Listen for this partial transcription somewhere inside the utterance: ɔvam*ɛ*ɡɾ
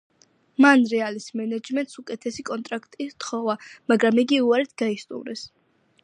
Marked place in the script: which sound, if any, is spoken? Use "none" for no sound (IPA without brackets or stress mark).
a